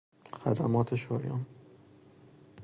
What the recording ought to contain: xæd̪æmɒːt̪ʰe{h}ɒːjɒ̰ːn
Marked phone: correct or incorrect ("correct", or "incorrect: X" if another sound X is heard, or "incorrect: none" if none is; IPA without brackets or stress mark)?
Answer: incorrect: ʃ